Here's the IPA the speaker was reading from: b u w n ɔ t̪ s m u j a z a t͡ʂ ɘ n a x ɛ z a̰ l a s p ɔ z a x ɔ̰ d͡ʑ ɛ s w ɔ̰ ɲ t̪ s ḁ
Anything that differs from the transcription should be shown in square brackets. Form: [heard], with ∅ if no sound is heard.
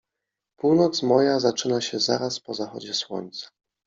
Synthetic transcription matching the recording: [p] u w n ɔ t̪ s m [ɔ] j a z a t͡ʂ ɘ n a [ɕ] ɛ z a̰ [ɾ] a s p ɔ z a x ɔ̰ d͡ʑ ɛ s w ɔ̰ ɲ t̪ s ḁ